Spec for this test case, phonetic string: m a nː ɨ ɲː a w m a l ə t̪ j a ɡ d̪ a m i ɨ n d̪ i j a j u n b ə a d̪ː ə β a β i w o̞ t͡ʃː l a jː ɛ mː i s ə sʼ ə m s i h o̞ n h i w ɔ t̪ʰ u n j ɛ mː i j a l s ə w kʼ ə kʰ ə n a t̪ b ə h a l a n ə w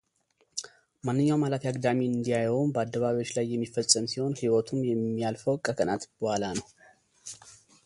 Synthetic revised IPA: m a nː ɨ ɲː a w m a l a t̪ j a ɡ d̪ a m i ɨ n d̪ i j a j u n b ə a d̪ː ə β a β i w o̞ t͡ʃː l a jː ɛ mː i f ə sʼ ə m s i h o̞ n h i w ɔ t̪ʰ u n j ɛ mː i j a l f ə w kʼ ə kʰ ə n a t̪ b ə h a l a n ə w